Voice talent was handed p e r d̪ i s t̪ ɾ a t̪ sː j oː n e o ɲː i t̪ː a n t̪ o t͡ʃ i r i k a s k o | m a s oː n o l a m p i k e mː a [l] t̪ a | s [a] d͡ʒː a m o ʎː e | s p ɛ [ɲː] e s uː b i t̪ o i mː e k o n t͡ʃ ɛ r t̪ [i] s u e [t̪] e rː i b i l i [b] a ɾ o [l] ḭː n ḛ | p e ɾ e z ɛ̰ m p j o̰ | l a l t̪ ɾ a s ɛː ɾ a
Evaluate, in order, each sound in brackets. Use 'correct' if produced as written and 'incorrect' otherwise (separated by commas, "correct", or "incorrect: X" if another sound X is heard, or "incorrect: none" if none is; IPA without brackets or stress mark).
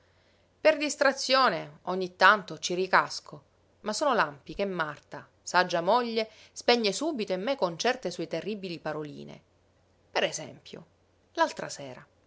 incorrect: r, correct, correct, incorrect: e, correct, incorrect: p, correct